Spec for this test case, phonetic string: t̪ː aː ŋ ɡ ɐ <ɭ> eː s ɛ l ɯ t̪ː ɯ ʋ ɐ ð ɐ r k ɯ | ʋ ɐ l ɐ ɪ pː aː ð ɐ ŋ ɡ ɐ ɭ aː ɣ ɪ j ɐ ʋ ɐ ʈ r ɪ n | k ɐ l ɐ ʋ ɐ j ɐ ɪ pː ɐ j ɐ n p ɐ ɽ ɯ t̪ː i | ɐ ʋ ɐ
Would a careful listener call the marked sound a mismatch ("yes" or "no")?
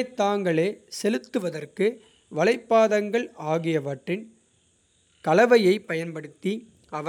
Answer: no